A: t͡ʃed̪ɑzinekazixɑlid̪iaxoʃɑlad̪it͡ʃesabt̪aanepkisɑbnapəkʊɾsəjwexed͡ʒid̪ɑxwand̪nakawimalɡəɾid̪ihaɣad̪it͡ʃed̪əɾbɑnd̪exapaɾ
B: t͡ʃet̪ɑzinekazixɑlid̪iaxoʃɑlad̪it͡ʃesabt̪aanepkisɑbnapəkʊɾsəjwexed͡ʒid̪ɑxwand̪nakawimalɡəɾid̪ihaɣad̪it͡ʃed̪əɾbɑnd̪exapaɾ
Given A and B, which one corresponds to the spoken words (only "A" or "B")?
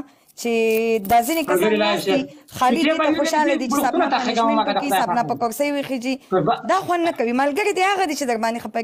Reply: A